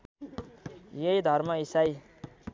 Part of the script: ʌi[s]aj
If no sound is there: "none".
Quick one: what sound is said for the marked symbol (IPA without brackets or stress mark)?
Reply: s